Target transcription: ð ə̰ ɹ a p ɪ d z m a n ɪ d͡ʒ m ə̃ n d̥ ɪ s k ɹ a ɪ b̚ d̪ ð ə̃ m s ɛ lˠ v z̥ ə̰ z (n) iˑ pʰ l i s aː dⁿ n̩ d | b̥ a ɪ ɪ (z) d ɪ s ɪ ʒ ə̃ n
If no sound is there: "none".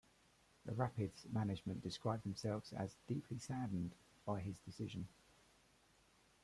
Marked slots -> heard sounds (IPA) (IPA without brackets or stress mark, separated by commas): d, z